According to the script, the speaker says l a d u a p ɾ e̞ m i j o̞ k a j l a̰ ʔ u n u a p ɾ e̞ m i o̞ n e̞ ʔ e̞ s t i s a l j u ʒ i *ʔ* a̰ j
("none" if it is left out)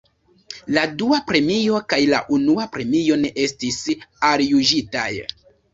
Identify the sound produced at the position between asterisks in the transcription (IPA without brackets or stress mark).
t